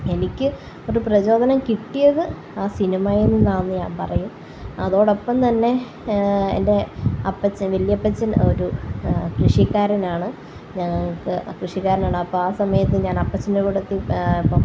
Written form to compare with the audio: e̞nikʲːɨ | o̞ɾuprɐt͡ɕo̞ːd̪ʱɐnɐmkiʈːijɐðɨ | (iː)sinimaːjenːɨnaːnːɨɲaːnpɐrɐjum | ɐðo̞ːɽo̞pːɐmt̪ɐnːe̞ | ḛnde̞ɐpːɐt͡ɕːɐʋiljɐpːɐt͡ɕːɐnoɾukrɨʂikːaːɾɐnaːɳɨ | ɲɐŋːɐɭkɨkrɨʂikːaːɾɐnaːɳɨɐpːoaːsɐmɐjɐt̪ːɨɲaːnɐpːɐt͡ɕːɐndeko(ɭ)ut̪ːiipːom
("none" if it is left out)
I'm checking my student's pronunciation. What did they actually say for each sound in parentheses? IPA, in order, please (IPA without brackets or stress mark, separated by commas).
aː, ɽ